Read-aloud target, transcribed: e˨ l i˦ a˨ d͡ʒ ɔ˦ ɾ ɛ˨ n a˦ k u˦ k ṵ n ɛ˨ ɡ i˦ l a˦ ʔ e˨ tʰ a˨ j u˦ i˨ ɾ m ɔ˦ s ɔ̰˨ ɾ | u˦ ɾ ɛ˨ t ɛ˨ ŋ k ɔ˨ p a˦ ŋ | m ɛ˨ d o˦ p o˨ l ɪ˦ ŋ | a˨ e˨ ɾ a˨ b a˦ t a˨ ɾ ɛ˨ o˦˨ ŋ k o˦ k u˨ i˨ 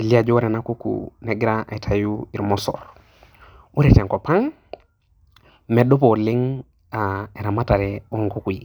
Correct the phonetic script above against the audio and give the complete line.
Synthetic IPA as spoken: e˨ l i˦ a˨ d͡ʒ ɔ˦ ɾ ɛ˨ n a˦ k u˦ k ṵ n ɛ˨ ɡ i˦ ɾ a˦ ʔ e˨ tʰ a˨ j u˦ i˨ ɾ m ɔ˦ s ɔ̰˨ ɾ | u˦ ɾ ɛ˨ t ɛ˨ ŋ k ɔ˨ p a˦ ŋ | m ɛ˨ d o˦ p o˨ l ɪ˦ ŋ | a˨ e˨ ɾ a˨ m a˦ t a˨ ɾ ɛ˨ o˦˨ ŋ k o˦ k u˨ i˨